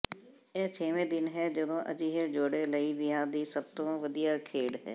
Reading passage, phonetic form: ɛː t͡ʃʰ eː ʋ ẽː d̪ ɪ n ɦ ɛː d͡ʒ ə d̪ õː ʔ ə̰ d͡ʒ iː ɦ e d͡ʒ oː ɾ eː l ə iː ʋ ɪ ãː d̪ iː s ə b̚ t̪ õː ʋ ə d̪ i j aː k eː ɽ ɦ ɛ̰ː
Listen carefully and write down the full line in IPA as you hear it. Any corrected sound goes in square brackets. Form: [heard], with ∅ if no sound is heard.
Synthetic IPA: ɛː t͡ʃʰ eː ʋ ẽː d̪ ɪ n ɦ ɛː d͡ʒ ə d̪ õː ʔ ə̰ d͡ʒ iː ɦ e d͡ʒ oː [ɽ] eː l ə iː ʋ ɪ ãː d̪ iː s ə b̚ t̪ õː ʋ ə d̪ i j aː [kʰ] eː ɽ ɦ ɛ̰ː